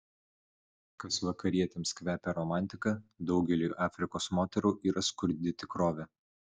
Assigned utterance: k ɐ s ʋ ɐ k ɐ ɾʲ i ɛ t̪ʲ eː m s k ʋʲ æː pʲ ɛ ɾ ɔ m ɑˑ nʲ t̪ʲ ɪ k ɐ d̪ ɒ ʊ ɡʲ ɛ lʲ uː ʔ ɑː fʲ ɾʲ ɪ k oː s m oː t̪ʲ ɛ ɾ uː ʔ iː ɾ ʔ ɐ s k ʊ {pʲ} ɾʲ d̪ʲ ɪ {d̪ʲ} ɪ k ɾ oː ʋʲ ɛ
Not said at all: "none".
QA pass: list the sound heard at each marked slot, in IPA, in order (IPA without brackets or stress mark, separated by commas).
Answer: none, t̪ʲ